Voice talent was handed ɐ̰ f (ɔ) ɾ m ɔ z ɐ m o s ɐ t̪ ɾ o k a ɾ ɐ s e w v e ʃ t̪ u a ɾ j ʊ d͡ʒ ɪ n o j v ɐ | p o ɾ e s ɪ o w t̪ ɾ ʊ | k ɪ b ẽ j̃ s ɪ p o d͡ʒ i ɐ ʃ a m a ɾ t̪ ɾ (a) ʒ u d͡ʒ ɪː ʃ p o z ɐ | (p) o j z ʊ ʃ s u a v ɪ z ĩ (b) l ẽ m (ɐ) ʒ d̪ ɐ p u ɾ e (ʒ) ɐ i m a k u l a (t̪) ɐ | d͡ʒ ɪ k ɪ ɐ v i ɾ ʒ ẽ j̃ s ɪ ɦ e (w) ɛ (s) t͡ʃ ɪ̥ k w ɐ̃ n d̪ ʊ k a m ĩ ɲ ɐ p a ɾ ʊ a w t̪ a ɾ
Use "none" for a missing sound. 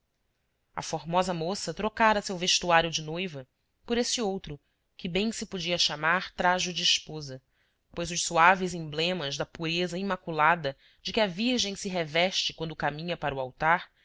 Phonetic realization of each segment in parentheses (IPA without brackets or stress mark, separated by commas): o, a, p, b, ɐ, z, d̪, v, ʃ